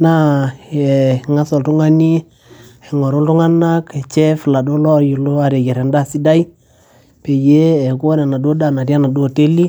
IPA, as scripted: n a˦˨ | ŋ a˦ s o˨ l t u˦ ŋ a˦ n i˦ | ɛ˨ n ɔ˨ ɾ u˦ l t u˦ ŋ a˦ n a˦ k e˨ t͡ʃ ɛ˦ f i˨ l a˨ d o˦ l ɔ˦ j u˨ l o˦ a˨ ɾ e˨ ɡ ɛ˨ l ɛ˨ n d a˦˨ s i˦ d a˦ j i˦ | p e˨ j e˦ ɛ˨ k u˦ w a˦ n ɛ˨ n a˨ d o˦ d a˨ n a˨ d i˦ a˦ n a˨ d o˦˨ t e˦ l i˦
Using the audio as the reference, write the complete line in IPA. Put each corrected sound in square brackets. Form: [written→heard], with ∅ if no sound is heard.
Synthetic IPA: n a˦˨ | ŋ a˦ s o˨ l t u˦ ŋ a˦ n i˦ | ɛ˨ [n→ŋ] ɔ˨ ɾ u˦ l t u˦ ŋ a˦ n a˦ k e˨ t͡ʃ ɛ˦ f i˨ l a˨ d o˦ l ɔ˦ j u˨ l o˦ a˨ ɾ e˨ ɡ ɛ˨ [l→ɾ] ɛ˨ n d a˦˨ s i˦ d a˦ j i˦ | p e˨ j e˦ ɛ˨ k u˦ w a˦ n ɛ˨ n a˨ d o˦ d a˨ n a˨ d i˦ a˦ n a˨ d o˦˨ t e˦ l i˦